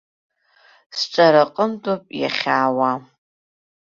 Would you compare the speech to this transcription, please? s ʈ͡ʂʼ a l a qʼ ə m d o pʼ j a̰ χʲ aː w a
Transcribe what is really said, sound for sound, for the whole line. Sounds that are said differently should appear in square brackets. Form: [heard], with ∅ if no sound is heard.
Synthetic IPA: s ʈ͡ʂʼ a [ɾ] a qʼ ə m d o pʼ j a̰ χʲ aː w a